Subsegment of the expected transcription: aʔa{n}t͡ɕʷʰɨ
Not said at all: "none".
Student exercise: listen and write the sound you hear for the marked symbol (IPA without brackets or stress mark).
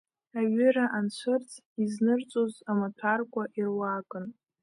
n